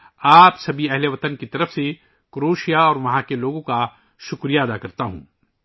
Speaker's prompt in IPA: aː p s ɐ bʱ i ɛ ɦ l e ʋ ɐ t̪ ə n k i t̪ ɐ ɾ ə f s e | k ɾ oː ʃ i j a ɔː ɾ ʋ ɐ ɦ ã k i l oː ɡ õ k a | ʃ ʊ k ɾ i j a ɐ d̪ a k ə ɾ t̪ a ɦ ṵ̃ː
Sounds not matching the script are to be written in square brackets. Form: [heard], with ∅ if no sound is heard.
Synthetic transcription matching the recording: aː p s ɐ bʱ i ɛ ɦ l e ʋ ɐ t̪ ə n k i t̪ ɐ ɾ ə f s e | k ɾ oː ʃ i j a ɔː ɾ ʋ ɐ ɦ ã k [e] l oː ɡ õ k a | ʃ ʊ k ɾ i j a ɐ d̪ a k [ɐ] ɾ t̪ a ɦ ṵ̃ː